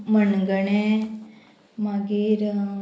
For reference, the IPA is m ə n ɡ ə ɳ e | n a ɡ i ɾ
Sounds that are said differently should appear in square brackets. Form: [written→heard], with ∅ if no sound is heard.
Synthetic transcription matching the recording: m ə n ɡ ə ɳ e | [n→m] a ɡ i ɾ